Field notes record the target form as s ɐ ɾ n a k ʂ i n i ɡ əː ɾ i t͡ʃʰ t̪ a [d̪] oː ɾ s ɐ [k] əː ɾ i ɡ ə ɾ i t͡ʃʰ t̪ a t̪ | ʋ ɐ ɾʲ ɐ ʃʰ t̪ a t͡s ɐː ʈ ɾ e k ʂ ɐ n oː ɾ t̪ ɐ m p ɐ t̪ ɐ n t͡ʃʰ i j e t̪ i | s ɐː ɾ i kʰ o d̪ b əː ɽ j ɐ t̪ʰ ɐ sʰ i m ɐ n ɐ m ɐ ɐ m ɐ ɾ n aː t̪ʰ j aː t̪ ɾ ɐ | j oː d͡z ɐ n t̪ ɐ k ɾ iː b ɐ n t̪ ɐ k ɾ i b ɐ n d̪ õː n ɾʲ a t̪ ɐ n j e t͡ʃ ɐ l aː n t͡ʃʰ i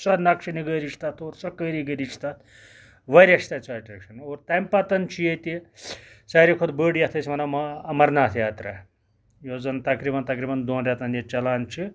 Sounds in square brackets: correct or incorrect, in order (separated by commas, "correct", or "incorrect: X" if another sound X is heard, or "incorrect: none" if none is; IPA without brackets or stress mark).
incorrect: t̪, correct